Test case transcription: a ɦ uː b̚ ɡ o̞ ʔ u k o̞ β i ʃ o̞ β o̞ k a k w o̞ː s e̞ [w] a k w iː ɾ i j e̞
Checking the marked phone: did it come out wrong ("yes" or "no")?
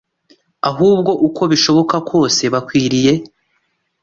yes